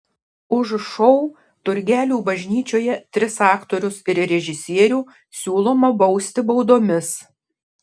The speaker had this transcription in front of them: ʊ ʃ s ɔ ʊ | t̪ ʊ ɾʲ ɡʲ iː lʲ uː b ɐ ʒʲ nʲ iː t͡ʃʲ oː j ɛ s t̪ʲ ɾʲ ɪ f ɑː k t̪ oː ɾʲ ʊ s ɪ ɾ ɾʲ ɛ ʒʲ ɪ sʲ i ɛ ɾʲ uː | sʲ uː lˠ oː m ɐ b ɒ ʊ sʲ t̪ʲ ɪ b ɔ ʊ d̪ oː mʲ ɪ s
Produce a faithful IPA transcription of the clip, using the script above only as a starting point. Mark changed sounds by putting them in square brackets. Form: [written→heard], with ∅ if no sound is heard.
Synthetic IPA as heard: ʊ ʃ [s→ʃ] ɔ ʊ | t̪ ʊ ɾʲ ɡʲ [iː→æː] lʲ uː b ɐ ʒʲ nʲ iː t͡ʃʲ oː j ɛ [s→∅] t̪ʲ ɾʲ ɪ [f→s] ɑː k t̪ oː ɾʲ ʊ s ɪ ɾ ɾʲ ɛ ʒʲ ɪ sʲ i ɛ ɾʲ uː | sʲ uː lˠ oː m ɐ b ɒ ʊ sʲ t̪ʲ ɪ b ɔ ʊ d̪ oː mʲ ɪ s